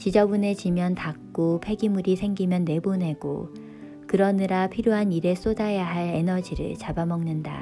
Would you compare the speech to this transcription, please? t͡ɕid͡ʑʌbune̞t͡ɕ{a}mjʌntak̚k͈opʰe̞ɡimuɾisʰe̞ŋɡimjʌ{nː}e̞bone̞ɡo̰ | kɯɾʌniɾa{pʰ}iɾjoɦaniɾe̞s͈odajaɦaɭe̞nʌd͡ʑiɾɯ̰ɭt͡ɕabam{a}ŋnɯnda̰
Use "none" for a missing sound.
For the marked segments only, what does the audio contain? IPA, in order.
i, nː, pʰ, ʌ

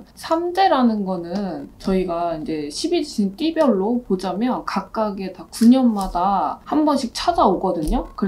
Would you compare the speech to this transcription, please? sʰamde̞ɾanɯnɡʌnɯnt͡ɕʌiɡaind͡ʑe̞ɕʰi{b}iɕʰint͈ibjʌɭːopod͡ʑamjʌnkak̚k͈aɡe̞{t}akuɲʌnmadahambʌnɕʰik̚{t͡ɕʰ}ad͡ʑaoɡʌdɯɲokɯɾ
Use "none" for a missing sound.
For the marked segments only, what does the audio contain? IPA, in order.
b, t, t͡ɕʰ

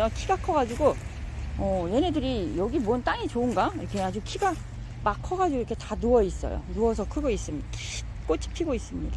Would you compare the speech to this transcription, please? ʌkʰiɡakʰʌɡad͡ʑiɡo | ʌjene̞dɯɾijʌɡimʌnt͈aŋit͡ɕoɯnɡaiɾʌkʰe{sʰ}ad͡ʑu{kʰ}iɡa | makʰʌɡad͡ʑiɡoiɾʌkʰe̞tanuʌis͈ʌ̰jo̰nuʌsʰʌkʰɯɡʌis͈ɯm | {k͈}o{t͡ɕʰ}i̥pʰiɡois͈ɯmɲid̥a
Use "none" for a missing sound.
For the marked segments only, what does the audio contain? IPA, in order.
none, kʰ, k͈, t͡ɕʰ

